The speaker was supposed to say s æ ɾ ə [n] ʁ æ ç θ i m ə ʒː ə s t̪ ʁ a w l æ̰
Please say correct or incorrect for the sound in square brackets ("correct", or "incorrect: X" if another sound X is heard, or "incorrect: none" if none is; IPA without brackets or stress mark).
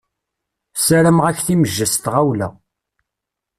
incorrect: m